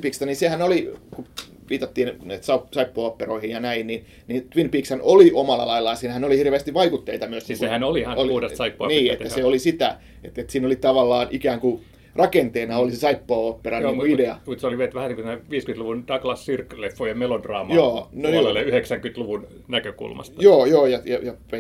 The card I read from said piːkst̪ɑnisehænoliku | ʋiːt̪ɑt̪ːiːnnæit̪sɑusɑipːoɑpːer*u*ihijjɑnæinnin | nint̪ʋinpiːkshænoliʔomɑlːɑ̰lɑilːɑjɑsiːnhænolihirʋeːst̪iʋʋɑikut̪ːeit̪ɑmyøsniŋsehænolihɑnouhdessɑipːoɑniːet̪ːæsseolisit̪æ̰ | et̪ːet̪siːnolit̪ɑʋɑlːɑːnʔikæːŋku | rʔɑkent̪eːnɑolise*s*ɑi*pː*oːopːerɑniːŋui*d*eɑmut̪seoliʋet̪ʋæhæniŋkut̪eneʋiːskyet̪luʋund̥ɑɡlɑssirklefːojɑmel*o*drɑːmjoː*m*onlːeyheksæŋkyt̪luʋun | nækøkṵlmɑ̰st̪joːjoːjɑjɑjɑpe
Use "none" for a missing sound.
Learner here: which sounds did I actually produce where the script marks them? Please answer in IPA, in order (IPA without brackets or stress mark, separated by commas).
o, s, pː, d, o, n